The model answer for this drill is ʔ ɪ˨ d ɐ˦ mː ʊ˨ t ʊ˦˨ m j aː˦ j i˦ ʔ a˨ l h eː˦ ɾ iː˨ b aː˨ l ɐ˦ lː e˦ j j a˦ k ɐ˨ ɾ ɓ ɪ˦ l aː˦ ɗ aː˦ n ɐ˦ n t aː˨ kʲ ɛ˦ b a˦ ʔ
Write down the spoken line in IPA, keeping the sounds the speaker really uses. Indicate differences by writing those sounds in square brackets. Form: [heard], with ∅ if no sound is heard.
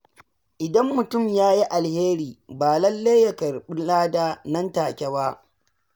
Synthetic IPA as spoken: ʔ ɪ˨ d ɐ˦ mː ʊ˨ t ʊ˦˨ m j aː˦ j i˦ ʔ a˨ l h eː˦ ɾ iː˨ b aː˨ l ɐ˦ lː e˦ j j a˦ k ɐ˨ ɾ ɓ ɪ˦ l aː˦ [d] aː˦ n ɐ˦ n t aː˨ kʲ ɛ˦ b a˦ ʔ